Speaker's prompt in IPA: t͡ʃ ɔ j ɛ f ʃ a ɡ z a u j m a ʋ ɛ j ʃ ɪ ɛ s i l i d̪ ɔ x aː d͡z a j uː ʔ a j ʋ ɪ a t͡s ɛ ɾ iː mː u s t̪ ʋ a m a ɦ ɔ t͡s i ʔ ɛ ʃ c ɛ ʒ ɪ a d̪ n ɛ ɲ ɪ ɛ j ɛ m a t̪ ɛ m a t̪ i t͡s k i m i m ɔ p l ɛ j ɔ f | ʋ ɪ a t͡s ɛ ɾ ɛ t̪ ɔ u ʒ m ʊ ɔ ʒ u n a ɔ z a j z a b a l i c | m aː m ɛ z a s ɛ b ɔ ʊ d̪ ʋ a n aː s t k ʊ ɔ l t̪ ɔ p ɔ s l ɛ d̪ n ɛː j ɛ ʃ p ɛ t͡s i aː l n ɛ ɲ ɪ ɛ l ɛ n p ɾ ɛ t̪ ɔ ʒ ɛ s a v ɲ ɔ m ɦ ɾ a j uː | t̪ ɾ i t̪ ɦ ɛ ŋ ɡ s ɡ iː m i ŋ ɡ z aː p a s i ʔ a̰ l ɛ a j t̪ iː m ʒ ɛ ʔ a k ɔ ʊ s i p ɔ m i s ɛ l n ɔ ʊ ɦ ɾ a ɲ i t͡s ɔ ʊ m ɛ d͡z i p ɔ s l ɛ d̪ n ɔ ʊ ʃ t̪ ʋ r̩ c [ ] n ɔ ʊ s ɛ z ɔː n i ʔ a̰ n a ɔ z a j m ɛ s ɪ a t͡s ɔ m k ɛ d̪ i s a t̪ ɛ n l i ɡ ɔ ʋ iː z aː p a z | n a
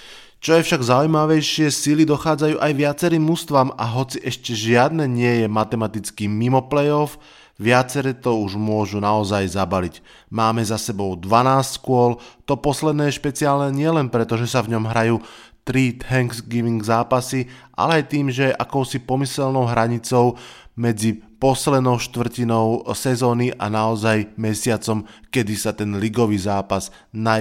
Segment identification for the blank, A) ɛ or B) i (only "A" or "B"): B